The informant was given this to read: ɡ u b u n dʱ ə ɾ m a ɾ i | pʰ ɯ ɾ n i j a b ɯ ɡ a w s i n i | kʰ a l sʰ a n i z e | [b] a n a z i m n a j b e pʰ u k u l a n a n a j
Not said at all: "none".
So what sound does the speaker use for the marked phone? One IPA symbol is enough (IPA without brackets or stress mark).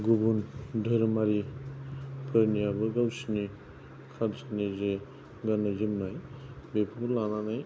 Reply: ɡ